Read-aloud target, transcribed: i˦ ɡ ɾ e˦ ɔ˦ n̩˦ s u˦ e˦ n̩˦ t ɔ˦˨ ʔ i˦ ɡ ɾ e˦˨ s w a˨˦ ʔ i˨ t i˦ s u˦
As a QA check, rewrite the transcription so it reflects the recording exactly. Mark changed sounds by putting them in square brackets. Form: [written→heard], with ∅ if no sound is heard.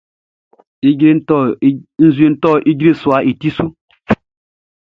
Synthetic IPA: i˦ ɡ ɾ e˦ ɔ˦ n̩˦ [s→z] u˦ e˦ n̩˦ t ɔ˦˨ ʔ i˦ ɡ ɾ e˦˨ s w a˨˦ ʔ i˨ t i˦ s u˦